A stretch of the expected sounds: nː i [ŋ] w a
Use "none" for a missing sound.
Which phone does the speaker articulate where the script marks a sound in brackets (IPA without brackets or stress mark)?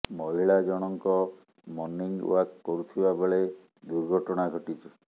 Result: ŋ